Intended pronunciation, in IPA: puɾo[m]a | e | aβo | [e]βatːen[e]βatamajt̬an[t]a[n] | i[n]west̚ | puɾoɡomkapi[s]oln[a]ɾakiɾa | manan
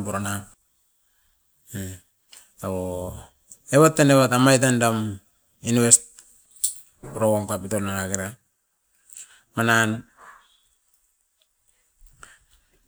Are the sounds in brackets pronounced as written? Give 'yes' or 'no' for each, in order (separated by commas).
no, yes, yes, no, no, yes, no, yes